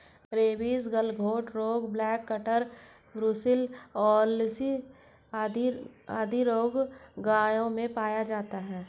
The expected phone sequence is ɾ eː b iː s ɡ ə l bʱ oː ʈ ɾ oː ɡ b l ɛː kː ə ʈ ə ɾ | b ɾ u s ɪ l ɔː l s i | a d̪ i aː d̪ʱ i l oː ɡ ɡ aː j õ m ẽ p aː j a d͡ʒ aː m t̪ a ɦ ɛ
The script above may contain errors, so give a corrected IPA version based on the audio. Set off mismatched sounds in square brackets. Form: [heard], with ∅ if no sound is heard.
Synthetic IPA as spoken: ɾ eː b iː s ɡ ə l [ɡʱ] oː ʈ ɾ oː ɡ b l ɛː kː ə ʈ ə ɾ | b ɾ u s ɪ l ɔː l s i | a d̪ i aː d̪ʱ i [ɾ] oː ɡ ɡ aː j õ m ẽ p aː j a d͡ʒ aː [∅] t̪ a ɦ [ɛː]